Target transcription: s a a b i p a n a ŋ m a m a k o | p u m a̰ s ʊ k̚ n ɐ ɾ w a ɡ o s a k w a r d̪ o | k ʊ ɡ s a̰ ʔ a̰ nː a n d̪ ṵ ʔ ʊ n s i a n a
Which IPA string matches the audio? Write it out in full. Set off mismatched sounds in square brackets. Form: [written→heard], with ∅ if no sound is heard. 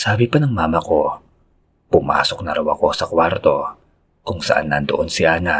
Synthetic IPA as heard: s a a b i p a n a ŋ m a m a k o | p u m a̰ s ʊ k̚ n [ɐ→a] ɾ w a [ɡ→k] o s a k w a r [d̪→t̪] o | k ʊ [ɡ→ŋ] s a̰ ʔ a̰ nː a n [d̪→t̪] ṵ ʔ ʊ n s i a n a